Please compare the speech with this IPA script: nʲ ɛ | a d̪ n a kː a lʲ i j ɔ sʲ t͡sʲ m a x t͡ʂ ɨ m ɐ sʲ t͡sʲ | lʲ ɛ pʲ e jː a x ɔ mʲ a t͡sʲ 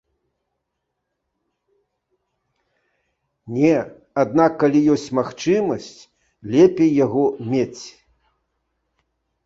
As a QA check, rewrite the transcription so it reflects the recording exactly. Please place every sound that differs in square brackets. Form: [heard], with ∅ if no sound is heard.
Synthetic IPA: nʲ ɛ | a d̪ n a kː a lʲ i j ɔ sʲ t͡sʲ m a x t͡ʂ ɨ m ɐ sʲ t͡sʲ | lʲ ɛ pʲ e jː a [ɣ] ɔ mʲ [e] t͡sʲ